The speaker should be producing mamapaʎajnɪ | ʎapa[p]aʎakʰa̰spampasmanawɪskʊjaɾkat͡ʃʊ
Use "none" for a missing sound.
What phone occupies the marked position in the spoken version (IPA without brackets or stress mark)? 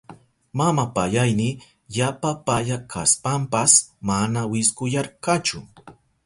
p